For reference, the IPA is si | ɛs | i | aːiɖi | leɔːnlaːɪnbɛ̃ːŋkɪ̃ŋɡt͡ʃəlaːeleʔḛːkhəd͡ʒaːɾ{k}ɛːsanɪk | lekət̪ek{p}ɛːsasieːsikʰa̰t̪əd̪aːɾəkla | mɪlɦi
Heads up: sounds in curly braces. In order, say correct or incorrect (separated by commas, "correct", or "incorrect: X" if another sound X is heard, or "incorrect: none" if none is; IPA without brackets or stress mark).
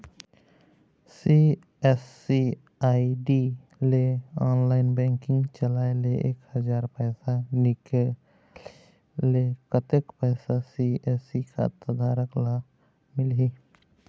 incorrect: p, correct